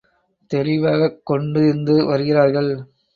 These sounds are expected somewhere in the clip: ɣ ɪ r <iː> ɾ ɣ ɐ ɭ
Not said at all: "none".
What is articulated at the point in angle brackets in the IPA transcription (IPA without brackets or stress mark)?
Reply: aː